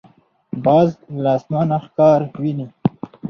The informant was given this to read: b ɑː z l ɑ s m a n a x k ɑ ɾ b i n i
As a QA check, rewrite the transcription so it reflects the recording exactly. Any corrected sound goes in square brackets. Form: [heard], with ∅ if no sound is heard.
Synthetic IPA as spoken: b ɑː z l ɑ s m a n a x k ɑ ɾ [w] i n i